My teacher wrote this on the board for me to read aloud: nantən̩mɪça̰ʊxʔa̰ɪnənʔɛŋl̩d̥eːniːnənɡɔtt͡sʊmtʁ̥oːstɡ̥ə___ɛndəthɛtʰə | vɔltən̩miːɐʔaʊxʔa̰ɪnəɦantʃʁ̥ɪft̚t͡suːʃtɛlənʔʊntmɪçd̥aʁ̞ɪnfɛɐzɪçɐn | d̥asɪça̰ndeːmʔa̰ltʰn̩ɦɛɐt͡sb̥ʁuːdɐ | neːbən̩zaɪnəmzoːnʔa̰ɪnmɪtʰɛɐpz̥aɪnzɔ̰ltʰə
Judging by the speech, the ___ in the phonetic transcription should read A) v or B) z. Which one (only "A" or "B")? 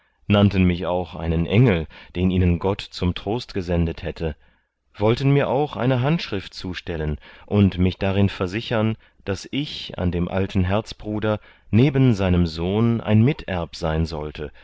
B